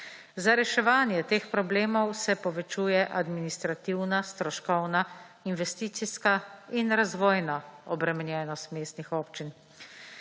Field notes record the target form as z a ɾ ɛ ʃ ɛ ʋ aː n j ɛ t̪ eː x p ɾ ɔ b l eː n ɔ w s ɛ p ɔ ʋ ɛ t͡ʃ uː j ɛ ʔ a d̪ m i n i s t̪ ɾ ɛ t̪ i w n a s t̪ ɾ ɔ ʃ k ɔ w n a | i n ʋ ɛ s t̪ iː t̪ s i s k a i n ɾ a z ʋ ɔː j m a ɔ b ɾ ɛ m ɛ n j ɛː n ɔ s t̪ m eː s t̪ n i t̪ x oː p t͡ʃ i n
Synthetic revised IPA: z a ɾ ɛ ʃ ɛ ʋ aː n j ɛ t̪ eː x p ɾ ɔ b l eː m ɔ w s ɛ p ɔ ʋ ɛ t͡ʃ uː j ɛ ʔ a d̪ m i n i s t̪ ɾ a t̪ i w n a s t̪ ɾ ɔ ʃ k ɔ w n a | i n ʋ ɛ s t̪ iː t̪ s i s k a i n ɾ a z ʋ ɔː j n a ɔ b ɾ ɛ m ɛ n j ɛː n ɔ s t̪ m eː s t̪ n i x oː p t͡ʃ i n